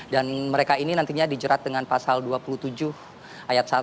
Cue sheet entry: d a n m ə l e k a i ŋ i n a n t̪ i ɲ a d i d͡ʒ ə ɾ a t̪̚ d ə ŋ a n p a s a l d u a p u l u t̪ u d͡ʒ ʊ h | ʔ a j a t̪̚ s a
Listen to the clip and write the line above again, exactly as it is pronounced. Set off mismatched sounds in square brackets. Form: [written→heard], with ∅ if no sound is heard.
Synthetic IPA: d a n m ə [l→ɾ] e k a i [ŋ→n] i n a n t̪ i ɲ a d i d͡ʒ ə ɾ a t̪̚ d ə ŋ a n p a s a l d u a p u l u t̪ u d͡ʒ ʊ h | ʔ a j a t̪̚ s a